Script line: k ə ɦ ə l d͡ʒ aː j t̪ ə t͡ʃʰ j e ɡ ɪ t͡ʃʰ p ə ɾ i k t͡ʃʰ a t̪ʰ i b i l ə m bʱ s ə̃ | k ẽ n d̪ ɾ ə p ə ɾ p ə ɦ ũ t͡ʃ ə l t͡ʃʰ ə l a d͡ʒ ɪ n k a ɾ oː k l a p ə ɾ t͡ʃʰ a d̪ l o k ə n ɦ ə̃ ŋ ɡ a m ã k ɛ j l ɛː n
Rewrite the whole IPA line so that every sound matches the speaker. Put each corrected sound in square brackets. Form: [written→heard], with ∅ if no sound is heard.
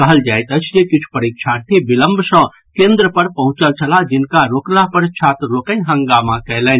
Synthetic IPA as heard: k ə ɦ ə l d͡ʒ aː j t̪ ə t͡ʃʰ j e [ɡ→k] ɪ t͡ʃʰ p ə ɾ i k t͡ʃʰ a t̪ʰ i b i l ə m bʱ s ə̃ | k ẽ n d̪ ɾ ə p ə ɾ p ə ɦ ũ t͡ʃ ə l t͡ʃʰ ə l a d͡ʒ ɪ n k a ɾ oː k l a p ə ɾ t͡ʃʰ a [d̪→t̪] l o k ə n ɦ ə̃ ŋ ɡ a m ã k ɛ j l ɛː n